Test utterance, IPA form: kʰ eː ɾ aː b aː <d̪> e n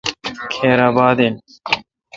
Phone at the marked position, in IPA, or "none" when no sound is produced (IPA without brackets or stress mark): d̪